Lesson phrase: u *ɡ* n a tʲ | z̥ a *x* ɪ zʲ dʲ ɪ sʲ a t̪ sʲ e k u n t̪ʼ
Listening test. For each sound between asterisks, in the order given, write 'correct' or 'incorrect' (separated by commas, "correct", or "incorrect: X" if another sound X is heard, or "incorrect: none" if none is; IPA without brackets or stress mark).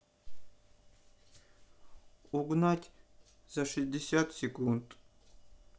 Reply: correct, incorrect: ʂ